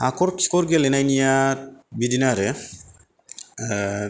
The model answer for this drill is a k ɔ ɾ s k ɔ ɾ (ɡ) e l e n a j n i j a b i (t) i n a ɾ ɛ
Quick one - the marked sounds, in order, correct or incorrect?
correct, incorrect: d

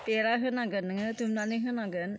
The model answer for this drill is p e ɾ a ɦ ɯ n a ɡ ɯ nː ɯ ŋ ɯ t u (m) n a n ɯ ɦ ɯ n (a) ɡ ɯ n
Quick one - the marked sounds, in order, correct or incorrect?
correct, correct

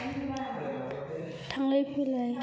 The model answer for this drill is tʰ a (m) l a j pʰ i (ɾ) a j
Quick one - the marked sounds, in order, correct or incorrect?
incorrect: ŋ, incorrect: l

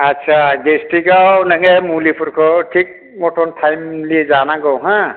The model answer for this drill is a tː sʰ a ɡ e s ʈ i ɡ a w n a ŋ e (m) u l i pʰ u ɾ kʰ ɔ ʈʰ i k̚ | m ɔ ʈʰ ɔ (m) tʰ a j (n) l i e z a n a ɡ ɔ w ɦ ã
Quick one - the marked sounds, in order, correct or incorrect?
correct, incorrect: n, incorrect: m

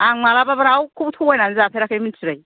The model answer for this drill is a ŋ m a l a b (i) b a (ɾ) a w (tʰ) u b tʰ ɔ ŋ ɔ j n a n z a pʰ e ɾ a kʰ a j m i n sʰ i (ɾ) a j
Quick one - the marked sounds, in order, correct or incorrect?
incorrect: a, correct, incorrect: kʰ, correct

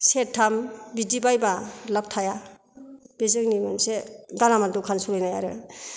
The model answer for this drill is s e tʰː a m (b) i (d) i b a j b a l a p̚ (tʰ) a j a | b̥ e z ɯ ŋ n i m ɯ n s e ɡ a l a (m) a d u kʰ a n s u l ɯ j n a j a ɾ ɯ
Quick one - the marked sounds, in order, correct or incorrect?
correct, correct, correct, correct

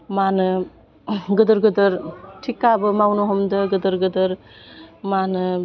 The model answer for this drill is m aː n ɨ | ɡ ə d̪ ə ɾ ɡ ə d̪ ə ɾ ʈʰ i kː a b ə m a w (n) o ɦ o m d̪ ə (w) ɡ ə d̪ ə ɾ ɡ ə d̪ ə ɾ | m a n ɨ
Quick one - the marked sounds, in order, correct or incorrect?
correct, incorrect: none

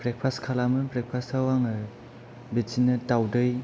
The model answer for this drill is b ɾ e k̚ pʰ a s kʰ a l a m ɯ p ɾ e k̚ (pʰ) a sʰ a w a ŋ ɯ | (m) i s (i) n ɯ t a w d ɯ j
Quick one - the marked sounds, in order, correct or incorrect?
correct, incorrect: b, correct

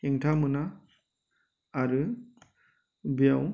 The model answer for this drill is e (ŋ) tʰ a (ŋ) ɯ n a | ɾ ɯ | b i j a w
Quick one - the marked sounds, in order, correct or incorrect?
correct, incorrect: m

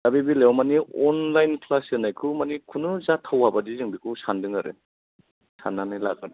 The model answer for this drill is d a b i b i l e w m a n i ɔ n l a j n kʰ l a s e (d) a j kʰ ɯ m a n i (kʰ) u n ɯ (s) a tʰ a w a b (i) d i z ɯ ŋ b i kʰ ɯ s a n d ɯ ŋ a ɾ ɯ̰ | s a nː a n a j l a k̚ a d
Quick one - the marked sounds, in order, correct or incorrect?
incorrect: n, correct, incorrect: z, incorrect: a

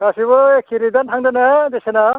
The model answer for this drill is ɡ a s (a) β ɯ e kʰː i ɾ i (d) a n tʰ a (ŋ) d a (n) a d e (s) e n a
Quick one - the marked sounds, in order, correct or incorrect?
incorrect: i, correct, correct, correct, correct

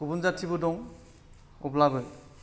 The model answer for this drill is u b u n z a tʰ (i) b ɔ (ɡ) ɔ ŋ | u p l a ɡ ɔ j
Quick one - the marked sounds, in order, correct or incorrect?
correct, incorrect: d

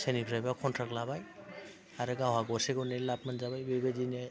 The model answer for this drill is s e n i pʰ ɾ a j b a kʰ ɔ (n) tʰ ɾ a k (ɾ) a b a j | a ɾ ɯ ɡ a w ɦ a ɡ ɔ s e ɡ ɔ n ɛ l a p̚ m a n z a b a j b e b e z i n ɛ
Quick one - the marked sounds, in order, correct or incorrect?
correct, incorrect: l

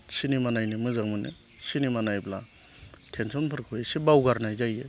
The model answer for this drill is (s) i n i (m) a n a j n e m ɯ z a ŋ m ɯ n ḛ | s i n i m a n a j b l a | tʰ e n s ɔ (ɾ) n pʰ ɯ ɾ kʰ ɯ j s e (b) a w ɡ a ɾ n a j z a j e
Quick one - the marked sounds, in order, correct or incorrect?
correct, correct, incorrect: none, correct

